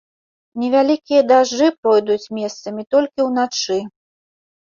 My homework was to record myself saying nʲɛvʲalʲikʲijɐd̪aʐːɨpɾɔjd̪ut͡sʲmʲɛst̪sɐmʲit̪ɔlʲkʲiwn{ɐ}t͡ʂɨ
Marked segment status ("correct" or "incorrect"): incorrect